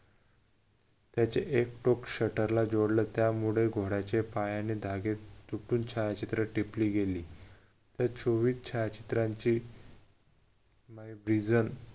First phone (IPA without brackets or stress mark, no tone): t̪